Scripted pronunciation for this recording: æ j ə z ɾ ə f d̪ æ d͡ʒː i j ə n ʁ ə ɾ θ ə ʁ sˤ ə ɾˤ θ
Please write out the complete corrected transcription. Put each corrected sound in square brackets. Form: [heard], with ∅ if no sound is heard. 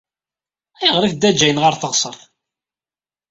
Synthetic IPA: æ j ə [ʁ] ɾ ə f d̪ æ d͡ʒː [æ] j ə n ʁ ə ɾ θ ə ʁ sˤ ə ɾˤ θ

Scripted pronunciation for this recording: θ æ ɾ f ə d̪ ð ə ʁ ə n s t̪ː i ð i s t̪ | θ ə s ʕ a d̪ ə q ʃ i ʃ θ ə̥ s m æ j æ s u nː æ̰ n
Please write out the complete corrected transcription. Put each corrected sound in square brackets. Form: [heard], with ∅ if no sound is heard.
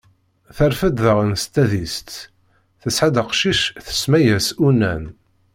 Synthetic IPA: θ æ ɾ f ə d̪ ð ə ʁ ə n s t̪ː [æ] ð i s t̪ | θ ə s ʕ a d̪ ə q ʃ i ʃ θ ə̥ s m æ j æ s u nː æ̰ n

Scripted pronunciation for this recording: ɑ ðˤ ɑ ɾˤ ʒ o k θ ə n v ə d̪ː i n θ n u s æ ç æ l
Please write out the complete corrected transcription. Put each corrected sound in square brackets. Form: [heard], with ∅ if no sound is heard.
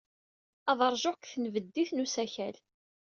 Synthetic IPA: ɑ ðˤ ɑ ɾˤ ʒ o k θ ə n v ə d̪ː i [∅] θ n u s æ ç æ l

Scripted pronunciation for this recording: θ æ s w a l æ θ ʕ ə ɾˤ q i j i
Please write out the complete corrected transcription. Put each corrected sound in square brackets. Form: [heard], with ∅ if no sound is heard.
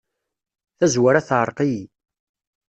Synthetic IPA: θ æ [z] w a [ɾ] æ θ ʕ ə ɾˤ q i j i

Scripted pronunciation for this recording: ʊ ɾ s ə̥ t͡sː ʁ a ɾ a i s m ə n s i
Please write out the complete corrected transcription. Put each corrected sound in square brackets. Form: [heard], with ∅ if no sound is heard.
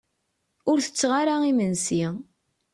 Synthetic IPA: ʊ ɾ [θ] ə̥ t͡sː ʁ a ɾ a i [∅] m ə n s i

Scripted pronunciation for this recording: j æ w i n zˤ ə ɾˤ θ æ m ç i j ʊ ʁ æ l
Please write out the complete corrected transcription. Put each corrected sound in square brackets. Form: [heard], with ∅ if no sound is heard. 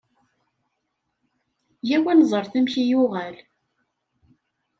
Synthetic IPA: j æ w [æ] n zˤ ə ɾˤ θ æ m ç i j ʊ ʁ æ l

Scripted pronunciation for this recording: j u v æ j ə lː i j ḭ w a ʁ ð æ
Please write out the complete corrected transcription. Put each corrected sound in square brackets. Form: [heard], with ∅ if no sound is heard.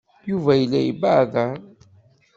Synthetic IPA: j u v æ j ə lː [æ] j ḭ [b] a [ʕ] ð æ

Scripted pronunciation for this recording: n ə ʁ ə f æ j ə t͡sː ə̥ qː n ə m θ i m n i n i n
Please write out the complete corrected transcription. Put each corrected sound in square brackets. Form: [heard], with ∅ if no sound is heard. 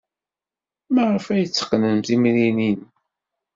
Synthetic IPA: [m] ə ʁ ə f æ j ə t͡sː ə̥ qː n ə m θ i m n i n i n

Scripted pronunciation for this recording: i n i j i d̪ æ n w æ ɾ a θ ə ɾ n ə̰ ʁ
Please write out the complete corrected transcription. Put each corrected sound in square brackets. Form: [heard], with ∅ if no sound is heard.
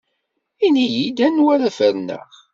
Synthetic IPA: i n i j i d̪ æ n w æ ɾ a [f] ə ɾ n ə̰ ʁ

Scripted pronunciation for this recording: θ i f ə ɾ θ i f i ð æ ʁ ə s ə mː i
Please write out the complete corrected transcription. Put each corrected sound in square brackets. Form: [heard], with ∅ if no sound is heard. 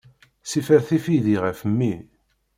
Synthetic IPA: [s] i f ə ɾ θ i f i ð [i] ʁ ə [f] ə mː i

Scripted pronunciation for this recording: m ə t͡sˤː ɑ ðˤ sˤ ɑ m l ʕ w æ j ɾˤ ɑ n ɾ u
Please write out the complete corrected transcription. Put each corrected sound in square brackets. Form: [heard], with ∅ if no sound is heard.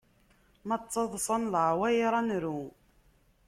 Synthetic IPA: m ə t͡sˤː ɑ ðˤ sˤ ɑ [n] l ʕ w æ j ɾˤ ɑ n ɾ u

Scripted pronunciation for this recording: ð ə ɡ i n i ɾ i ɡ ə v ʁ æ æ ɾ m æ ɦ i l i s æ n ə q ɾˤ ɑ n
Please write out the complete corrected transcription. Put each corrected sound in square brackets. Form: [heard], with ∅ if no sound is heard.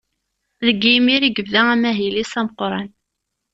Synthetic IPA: ð ə ɡ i [m] i ɾ i ɡ ə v [ð] æ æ [∅] m æ ɦ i l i s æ [m] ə q ɾˤ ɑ n

